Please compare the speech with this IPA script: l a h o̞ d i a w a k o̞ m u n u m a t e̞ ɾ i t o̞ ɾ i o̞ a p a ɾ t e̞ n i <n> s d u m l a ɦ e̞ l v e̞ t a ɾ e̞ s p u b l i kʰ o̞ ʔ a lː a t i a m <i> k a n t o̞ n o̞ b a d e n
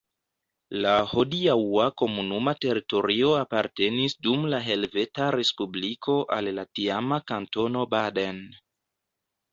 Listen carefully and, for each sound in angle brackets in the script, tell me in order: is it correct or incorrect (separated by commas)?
incorrect, incorrect